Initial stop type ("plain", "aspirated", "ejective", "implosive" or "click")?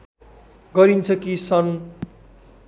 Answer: plain